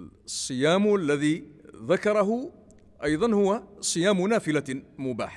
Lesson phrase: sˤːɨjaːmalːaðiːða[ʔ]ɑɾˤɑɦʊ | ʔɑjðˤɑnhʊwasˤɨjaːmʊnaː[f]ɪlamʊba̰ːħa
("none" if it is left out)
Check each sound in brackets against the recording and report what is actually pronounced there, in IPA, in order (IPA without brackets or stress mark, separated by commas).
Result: k, f